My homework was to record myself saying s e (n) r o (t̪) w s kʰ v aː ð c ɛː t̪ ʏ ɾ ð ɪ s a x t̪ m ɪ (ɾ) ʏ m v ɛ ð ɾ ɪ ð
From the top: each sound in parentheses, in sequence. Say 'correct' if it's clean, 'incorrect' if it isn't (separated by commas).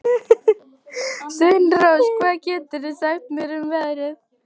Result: correct, incorrect, correct